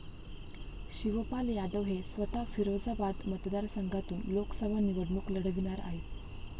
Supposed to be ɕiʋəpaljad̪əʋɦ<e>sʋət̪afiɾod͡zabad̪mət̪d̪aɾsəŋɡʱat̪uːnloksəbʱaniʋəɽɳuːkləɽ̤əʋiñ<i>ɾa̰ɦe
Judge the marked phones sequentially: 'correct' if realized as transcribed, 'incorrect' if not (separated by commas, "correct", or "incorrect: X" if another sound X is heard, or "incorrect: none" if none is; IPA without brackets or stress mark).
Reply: correct, incorrect: a